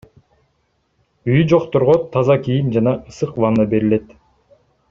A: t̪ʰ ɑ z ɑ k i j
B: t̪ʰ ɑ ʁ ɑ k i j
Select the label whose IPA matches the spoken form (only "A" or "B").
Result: A